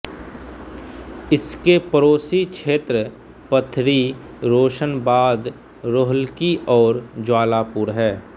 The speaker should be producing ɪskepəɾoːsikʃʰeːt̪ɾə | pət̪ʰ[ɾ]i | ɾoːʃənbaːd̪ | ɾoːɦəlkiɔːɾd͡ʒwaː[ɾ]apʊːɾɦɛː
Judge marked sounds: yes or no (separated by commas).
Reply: yes, no